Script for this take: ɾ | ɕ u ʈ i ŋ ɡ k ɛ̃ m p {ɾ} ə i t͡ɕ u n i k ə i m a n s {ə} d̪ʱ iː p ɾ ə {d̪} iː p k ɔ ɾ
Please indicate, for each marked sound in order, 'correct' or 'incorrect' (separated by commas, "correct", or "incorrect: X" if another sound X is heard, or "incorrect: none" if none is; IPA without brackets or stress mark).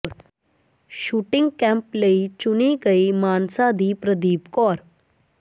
incorrect: l, incorrect: a, correct